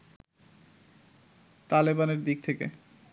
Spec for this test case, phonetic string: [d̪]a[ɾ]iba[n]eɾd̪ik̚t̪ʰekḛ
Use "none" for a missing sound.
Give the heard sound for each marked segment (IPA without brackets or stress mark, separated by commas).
t̪, l, n